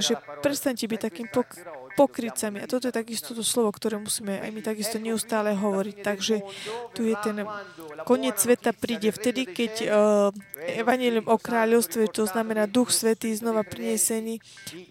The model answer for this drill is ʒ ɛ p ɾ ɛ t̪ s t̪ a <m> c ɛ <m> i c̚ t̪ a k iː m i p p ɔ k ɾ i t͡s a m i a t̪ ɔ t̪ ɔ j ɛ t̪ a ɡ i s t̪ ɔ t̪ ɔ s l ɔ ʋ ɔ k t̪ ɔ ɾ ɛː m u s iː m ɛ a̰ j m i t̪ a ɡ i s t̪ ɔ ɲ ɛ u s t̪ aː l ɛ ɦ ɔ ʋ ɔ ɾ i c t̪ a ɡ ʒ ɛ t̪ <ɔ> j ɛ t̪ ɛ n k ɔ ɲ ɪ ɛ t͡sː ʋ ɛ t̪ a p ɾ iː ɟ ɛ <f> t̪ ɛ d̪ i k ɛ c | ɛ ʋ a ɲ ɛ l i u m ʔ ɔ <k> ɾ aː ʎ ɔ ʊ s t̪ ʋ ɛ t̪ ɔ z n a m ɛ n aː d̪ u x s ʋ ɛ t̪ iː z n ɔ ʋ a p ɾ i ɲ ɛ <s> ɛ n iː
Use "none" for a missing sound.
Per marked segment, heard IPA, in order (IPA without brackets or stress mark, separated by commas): ɲ, b, u, f, k, s